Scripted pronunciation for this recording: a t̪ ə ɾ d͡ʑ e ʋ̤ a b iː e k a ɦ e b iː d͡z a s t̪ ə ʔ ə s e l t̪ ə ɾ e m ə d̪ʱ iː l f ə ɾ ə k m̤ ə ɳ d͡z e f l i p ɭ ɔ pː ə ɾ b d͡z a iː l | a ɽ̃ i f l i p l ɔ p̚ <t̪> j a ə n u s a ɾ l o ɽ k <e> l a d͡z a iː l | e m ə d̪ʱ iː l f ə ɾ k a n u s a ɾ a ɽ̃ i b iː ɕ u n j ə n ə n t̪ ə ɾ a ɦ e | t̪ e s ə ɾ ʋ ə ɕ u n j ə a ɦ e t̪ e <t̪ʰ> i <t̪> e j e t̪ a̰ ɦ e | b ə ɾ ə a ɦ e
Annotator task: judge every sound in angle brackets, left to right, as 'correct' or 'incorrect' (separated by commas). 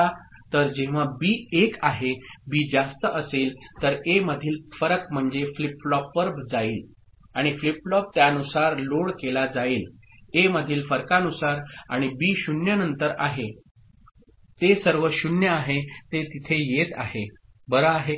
correct, correct, incorrect, incorrect